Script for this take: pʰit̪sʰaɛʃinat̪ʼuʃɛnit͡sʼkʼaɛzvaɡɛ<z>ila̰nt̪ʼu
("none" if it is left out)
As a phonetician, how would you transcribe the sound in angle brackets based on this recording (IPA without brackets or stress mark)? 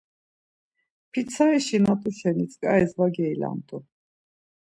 none